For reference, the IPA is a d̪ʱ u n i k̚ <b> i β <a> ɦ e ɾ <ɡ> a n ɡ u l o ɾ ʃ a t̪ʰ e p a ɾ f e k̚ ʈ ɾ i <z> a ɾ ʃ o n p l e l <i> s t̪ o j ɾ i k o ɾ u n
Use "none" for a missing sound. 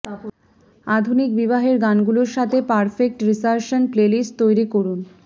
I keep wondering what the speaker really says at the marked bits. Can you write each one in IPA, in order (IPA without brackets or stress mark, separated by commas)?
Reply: b, a, ɡ, s, i